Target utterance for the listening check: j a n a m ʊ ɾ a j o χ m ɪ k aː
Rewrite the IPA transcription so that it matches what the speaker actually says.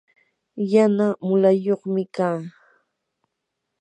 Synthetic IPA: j a n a m ʊ l a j o χ m ɪ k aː